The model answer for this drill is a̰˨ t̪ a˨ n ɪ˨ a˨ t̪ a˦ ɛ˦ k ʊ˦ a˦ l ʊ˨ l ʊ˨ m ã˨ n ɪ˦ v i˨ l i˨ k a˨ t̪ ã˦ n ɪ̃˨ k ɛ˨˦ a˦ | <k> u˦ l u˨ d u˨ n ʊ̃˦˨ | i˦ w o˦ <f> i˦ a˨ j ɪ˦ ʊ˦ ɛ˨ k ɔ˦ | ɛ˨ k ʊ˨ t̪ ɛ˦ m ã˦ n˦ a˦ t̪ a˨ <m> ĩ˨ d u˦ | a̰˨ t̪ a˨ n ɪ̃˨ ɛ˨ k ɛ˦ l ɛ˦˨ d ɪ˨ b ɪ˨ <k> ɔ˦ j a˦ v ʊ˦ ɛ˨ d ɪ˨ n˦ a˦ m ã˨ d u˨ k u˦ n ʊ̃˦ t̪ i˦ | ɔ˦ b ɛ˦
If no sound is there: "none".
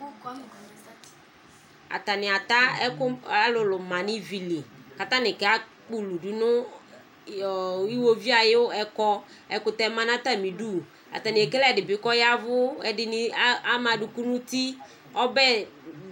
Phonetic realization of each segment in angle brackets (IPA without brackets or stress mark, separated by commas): k͡p, v, m, k